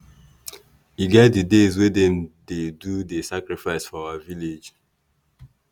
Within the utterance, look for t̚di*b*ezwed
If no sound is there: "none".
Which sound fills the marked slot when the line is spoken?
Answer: d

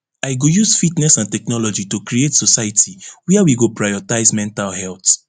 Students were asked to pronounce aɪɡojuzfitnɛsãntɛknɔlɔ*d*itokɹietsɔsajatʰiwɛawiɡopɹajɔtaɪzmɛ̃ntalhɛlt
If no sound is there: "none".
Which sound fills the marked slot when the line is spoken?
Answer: d͡ʒ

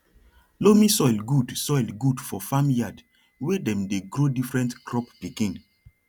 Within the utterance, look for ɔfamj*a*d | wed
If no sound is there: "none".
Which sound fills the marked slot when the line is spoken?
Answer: a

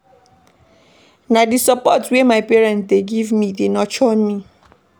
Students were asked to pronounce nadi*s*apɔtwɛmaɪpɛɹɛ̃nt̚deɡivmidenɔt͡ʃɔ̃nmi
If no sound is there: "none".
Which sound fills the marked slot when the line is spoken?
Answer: s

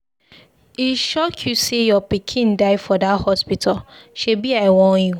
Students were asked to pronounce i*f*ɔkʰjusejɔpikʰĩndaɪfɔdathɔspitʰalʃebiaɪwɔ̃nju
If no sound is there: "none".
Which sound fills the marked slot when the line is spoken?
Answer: ʃ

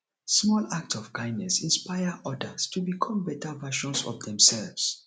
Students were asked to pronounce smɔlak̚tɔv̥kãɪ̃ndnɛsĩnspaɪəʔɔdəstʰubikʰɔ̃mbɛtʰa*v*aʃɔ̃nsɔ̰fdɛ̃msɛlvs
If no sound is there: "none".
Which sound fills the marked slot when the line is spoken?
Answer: v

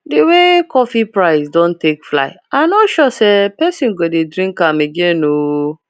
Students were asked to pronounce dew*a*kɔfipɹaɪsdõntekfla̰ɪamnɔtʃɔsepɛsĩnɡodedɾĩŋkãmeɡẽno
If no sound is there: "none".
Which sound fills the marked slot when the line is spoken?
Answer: e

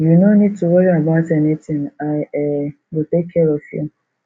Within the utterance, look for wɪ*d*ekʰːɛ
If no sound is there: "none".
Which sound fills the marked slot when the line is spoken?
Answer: t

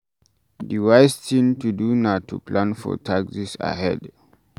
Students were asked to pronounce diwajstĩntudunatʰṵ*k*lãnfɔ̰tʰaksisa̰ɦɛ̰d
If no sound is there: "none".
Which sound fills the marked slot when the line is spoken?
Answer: p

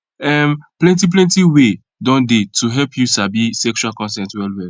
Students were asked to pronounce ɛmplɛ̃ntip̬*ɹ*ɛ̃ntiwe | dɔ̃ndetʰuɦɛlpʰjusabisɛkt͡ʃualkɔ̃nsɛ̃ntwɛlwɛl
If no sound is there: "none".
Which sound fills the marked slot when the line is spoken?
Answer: l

